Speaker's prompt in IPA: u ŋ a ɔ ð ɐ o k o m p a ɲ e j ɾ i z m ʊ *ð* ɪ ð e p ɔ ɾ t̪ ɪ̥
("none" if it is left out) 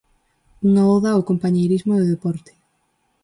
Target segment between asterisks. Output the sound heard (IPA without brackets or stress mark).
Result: ð